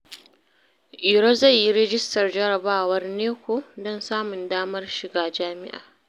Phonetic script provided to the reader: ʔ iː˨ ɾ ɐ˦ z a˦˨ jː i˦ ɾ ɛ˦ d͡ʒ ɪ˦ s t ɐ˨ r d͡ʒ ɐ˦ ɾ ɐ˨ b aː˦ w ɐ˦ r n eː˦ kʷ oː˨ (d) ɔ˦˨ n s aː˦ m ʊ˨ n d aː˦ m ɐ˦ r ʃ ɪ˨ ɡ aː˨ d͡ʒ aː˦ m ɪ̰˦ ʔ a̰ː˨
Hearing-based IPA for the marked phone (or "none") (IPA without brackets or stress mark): d